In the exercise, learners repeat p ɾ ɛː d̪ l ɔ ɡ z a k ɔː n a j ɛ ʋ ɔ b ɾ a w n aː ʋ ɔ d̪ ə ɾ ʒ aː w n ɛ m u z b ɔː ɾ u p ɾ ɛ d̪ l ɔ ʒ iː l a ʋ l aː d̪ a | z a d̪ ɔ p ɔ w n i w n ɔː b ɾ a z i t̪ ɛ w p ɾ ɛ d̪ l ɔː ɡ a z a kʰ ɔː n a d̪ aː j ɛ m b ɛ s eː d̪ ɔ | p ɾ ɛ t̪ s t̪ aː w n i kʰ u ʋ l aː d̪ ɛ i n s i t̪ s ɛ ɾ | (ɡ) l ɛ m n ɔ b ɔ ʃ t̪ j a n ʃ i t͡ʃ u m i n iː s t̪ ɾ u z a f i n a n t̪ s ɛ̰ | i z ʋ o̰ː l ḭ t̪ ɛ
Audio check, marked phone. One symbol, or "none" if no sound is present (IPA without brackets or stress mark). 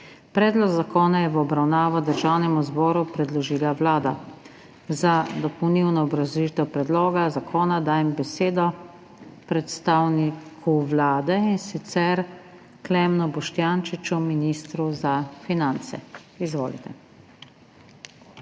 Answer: k